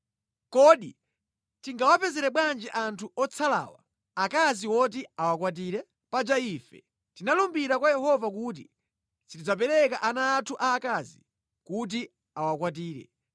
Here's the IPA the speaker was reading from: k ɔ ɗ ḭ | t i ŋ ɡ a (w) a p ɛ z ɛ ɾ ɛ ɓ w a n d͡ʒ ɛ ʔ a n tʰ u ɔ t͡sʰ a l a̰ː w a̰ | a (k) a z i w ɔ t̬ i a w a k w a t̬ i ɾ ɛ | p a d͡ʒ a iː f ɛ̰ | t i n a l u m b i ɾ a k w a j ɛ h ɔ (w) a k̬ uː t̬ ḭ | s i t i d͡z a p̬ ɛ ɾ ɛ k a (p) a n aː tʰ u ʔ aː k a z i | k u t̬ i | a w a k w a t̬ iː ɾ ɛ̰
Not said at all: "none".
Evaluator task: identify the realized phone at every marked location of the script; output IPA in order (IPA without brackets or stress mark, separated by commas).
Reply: w, k, v, ʔ